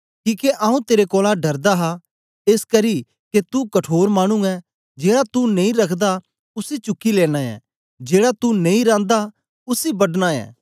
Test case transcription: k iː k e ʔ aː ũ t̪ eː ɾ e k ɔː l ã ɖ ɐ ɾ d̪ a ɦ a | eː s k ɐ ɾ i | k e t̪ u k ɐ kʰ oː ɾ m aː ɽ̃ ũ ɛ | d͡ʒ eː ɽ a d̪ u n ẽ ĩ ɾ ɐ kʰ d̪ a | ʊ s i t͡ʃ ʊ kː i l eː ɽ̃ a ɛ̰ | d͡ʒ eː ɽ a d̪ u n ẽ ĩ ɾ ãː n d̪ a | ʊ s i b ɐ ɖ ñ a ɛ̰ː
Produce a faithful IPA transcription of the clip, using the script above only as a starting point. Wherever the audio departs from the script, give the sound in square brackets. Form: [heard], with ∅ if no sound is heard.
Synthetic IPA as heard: k iː k e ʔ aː ũ t̪ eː ɾ e k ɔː l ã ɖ ɐ ɾ d̪ a ɦ a | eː s k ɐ ɾ i | k e t̪ u k ɐ [ʈʰ] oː ɾ m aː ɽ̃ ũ ɛ | d͡ʒ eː ɽ a [t̪] u n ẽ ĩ ɾ ɐ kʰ d̪ a | ʊ s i t͡ʃ ʊ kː i l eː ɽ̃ a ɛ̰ | d͡ʒ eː ɽ a [t̪] u n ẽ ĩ ɾ ãː n d̪ a | ʊ s i b ɐ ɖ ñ a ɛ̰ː

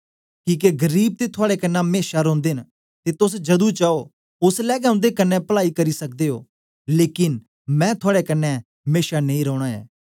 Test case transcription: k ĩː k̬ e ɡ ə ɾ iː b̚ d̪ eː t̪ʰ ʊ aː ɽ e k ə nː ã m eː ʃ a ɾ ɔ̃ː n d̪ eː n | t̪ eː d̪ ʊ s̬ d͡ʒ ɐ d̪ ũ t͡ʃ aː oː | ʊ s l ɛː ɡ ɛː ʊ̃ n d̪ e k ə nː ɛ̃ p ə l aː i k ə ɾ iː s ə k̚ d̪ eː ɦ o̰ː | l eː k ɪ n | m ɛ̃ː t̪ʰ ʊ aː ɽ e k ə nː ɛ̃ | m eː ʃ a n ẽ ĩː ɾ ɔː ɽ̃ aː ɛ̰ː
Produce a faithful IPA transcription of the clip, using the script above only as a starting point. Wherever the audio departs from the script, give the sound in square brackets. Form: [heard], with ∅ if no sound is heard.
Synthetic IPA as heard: k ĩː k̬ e ɡ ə ɾ iː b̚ [t̪] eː t̪ʰ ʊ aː ɽ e k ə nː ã m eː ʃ a ɾ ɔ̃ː n d̪ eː n | t̪ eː [t̪] ʊ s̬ d͡ʒ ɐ d̪ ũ t͡ʃ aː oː | ʊ s l ɛː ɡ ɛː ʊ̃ n d̪ e k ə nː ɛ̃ p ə l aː i k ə ɾ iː s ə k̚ d̪ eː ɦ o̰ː | l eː k ɪ n | m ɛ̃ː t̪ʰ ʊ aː ɽ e k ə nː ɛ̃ | m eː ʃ a n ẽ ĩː ɾ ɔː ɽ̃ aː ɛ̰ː

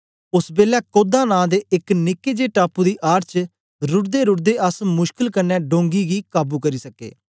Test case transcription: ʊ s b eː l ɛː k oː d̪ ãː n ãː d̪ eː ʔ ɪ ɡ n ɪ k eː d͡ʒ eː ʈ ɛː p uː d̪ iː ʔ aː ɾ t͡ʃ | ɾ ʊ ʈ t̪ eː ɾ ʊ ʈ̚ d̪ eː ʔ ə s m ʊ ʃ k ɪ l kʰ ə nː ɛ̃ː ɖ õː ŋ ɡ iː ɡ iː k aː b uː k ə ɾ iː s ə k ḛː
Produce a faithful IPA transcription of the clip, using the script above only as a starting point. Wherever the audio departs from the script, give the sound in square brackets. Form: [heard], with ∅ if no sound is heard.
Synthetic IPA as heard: ʊ s b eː l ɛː k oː d̪ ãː n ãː d̪ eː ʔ ɪ [k] n ɪ k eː d͡ʒ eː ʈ [aː] p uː d̪ iː ʔ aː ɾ t͡ʃ | ɾ ʊ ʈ [d̪] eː ɾ ʊ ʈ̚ d̪ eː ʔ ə s m ʊ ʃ k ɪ l [k] ə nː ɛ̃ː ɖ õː ŋ ɡ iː ɡ iː k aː b uː k ə ɾ iː s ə k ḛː

